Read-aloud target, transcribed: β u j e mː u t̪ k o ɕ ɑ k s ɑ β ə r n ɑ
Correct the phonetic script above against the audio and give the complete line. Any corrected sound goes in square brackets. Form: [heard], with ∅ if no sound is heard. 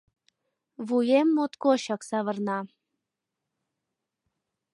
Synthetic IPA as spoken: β u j e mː [o] t̪ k o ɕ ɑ k s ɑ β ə r n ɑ